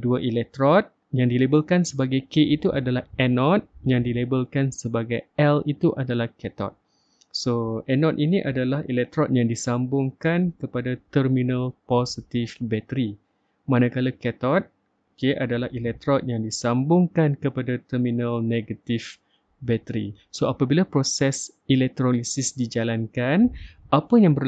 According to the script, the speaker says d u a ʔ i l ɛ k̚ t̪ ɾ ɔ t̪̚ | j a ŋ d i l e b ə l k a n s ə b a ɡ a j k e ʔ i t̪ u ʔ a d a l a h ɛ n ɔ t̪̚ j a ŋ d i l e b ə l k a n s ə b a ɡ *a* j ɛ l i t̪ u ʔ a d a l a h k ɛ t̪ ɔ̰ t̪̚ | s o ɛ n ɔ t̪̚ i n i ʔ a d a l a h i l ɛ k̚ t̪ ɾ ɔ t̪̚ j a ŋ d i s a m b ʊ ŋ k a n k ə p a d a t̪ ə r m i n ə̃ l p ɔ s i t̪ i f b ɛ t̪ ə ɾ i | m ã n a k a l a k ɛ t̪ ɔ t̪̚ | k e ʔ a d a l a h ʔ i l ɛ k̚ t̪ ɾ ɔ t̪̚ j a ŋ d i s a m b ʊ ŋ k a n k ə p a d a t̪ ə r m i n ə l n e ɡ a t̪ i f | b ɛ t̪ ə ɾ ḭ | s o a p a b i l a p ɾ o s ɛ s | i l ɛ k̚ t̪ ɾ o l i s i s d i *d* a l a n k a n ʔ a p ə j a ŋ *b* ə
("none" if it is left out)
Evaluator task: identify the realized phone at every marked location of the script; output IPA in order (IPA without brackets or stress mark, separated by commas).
a, d͡ʒ, b